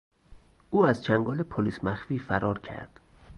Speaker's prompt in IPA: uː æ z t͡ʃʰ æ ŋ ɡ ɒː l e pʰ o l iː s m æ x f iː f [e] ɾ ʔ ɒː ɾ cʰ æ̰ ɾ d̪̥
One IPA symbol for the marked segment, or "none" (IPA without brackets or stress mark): æ